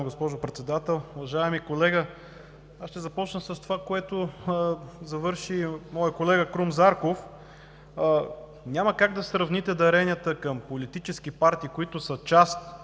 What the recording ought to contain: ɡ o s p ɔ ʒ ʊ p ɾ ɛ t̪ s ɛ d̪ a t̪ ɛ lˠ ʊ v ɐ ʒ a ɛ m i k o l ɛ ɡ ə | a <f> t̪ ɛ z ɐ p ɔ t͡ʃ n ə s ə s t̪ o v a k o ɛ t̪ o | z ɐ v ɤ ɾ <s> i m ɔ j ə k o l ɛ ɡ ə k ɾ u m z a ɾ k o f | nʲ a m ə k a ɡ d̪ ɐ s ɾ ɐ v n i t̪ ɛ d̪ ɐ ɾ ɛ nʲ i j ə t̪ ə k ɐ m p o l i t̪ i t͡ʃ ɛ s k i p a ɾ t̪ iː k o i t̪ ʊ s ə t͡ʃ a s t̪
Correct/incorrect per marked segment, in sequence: incorrect: ʃ, incorrect: ʃ

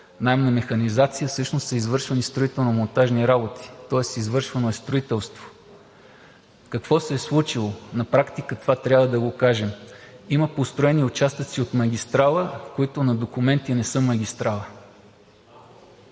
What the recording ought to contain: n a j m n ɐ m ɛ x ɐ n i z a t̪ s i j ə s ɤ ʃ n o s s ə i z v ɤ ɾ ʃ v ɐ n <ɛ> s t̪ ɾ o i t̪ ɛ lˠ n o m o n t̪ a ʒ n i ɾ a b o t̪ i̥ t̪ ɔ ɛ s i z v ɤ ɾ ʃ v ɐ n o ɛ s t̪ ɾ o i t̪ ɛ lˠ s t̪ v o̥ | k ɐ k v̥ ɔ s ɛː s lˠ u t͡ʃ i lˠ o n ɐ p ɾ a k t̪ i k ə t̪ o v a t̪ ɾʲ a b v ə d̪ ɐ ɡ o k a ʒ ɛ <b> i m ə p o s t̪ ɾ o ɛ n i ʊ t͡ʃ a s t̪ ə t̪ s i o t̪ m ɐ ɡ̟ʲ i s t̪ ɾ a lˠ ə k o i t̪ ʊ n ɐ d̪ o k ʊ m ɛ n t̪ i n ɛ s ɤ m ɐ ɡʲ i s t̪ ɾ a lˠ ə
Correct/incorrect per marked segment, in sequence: incorrect: i, incorrect: m

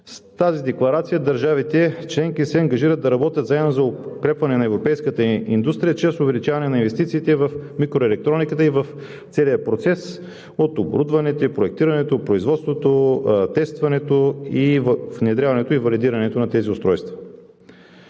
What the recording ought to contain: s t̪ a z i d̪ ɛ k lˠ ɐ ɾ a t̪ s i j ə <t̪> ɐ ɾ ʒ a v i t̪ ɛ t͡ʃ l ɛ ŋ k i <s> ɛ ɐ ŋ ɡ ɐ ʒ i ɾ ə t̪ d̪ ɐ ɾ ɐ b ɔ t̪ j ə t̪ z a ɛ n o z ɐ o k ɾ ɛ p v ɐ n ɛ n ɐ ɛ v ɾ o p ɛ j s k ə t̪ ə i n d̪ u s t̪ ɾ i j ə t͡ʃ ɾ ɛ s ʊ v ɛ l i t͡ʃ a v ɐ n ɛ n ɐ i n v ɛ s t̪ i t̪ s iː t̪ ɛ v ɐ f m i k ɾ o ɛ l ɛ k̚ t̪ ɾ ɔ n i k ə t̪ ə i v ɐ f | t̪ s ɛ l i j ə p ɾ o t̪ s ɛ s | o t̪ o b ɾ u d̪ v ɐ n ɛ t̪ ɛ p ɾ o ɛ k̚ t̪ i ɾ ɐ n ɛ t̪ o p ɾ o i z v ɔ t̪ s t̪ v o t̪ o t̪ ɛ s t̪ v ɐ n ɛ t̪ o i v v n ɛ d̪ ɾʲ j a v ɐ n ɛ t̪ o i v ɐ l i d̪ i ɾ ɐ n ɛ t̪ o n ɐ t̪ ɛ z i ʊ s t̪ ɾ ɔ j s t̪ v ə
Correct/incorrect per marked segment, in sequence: incorrect: d̪, correct

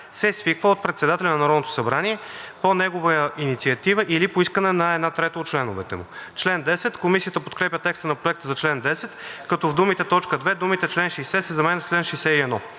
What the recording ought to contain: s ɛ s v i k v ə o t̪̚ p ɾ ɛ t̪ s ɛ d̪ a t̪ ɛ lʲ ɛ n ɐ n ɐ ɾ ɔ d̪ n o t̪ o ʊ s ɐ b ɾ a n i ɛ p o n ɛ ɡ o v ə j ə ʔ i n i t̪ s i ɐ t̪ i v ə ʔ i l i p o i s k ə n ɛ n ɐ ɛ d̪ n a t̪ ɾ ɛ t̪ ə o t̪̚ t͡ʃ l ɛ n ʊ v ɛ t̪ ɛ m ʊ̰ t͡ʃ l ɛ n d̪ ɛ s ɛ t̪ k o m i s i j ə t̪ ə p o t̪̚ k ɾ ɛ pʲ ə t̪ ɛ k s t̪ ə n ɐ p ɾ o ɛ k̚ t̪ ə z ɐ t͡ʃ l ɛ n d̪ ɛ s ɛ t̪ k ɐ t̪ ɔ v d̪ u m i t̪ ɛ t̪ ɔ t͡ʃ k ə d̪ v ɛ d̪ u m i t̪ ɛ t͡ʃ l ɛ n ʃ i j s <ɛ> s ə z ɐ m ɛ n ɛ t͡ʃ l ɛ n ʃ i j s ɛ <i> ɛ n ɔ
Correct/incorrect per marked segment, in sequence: correct, correct

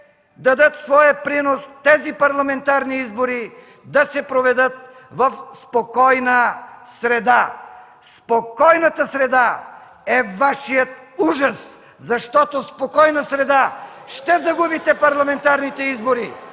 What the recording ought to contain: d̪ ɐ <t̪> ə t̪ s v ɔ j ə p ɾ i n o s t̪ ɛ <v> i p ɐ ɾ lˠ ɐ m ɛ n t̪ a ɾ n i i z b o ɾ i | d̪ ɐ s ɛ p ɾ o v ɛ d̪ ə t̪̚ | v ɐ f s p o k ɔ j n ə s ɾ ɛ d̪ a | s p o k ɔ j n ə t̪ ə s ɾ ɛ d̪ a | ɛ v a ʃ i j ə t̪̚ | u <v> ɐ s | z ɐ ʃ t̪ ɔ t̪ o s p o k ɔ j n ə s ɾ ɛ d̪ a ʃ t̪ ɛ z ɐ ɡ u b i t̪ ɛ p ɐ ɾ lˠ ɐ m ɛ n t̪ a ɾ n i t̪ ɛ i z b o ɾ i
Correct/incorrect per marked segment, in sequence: incorrect: d̪, incorrect: z, incorrect: ʒ

